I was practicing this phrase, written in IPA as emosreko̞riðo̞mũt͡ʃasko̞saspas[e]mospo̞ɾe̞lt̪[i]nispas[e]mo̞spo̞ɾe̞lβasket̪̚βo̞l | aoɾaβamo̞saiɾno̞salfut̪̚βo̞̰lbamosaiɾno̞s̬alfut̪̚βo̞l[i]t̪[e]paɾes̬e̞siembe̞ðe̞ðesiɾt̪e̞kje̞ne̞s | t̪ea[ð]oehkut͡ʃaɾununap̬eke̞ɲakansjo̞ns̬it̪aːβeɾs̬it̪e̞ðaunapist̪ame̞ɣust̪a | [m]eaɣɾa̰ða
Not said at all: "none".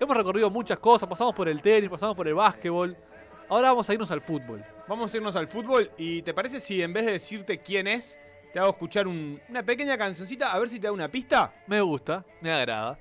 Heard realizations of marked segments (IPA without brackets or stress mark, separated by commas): a, e, a, i, e, ɣ, m